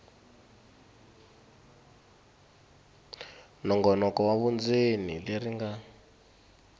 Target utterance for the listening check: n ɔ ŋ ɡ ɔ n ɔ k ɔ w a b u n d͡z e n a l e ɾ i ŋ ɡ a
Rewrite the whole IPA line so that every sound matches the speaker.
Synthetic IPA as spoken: n ɔ ŋ ɡ ɔ n ɔ k ɔ w a β u n d͡z e n i l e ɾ i ŋ ɡ a